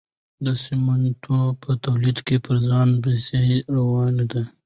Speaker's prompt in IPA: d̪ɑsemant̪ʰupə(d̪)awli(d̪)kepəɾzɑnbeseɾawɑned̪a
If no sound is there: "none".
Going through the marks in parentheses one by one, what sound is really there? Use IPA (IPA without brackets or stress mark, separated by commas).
t̪, d̪